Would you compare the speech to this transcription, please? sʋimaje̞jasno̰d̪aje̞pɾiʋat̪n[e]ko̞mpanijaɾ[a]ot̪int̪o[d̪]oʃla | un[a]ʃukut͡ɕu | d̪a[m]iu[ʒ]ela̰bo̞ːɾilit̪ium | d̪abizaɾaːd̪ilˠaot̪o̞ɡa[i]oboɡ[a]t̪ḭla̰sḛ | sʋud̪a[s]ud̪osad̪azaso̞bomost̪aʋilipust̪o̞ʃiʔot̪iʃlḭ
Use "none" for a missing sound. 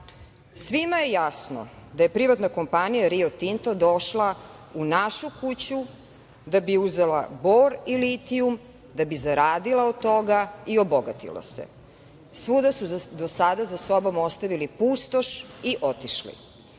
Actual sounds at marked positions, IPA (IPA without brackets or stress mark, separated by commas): a, i, d̪, a, b, z, i, a, s